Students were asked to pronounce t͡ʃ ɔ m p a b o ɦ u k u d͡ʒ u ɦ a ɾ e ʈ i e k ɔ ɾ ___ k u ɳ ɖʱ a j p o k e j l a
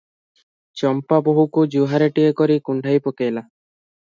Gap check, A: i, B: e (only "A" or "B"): A